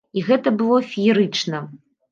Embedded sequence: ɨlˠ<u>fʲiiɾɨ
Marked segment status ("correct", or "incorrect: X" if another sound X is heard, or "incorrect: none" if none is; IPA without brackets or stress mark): incorrect: ɔ